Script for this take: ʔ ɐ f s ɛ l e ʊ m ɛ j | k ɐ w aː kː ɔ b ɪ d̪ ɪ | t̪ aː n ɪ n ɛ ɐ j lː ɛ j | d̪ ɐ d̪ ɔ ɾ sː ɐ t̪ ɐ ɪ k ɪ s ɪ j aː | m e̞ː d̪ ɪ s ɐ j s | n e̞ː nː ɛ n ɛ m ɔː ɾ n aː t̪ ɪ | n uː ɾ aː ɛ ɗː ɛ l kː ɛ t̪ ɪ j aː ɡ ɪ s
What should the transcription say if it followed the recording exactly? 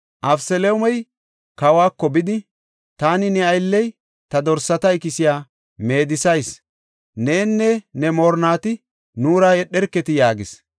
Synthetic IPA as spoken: ʔ ɐ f s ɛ l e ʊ m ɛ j | k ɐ w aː kː ɔ b ɪ d̪ ɪ | t̪ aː n ɪ n ɛ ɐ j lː ɛ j | t̪ ɐ d̪ ɔ ɾ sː ɐ t̪ ɐ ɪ k ɪ s ɪ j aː | m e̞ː d̪ ɪ s ɐ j s | n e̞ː nː ɛ n ɛ m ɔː ɾ n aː t̪ ɪ | n uː ɾ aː ɛ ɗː ɛ ɾ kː ɛ t̪ ɪ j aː ɡ ɪ s